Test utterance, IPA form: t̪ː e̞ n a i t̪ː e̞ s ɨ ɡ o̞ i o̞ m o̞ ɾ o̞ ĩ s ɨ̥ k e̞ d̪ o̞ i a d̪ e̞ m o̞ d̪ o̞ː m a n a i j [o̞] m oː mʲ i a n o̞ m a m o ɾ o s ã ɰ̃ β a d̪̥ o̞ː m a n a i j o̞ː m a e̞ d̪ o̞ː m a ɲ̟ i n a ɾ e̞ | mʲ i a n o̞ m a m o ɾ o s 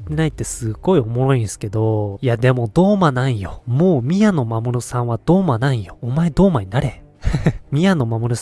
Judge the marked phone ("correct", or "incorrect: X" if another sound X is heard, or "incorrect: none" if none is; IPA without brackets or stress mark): correct